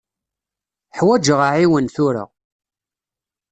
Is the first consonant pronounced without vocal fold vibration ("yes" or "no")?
yes